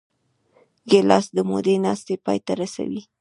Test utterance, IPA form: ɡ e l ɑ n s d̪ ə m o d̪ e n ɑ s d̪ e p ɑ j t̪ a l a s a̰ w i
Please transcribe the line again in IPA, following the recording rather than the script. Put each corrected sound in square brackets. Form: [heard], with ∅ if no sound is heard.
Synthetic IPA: ɡ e l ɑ [∅] s d̪ ə m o d̪ e n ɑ s [t̪] e p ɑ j t̪ a [ɾ] a s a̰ w i